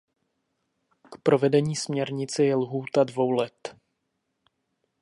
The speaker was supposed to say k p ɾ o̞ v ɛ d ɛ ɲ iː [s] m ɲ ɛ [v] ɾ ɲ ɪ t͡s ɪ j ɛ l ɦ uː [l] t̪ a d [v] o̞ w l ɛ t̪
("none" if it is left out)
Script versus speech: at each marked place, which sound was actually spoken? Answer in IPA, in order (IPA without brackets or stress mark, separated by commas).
s, none, none, v